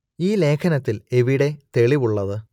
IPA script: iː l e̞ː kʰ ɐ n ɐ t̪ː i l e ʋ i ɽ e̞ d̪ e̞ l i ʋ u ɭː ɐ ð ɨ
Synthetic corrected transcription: iː l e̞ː kʰ ɐ n ɐ t̪ː i l e ʋ i ɽ e̞ t̪ e̞ ɭ i ʋ u ɭː ɐ ð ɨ

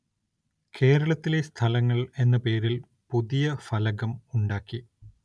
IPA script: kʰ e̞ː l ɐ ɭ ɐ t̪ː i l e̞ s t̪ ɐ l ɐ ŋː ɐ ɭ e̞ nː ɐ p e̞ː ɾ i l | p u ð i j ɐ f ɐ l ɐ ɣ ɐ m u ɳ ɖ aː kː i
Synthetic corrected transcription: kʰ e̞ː ɾ ɐ ɭ ɐ t̪ː i l e̞ s t̪ʰ ɐ l ɐ ŋː ɐ ɭ e̞ nː ɐ p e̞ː ɾ i l | p u ð i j ɐ f ɐ l ɐ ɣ ɐ m u ɳ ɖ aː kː i

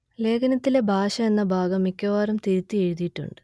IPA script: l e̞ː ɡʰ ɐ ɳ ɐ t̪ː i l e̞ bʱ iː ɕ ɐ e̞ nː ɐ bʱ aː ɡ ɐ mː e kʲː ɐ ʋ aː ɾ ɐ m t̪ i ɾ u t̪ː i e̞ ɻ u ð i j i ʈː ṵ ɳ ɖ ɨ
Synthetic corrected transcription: l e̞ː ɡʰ ɐ n ɐ t̪ː i l e̞ bʱ aː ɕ ɐ e̞ nː ɐ bʱ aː ɡ ɐ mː i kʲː ɐ ʋ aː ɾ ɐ m t̪ i ɾ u t̪ː i e̞ ɻ u ð i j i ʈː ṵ ɳ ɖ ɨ

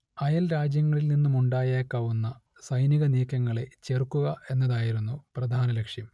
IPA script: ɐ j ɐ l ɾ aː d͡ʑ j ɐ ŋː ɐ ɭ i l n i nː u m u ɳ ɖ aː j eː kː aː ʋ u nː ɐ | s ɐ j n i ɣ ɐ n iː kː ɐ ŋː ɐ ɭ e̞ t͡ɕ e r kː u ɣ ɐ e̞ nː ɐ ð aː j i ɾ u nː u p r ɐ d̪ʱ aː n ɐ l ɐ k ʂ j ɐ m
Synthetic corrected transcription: ɐ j ɐ l ɾ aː d͡ʑ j ɐ ŋː ɐ ɭ i l n i nː u m u ɳ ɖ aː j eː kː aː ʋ u nː ɐ | s ɐ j n i ɣ ɐ n iː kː ɐ ŋː ɐ ɭ e̞ t͡ɕ e r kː u ɣ ɐ e̞ nː ɐ ð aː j i ɾ u nː u p r ɐ d̪ʱ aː n ɐ l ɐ k ʂ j ɐ m

